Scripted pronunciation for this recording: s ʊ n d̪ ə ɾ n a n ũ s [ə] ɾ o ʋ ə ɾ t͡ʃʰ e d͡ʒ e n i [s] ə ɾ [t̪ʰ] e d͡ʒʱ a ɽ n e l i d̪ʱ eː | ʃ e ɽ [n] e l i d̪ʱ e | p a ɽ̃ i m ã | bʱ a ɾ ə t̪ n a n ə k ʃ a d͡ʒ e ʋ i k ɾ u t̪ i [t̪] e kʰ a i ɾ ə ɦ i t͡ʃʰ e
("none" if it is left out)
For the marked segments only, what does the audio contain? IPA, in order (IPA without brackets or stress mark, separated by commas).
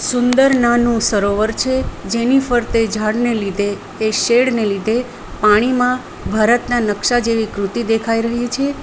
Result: ə, f, t̪, n, d̪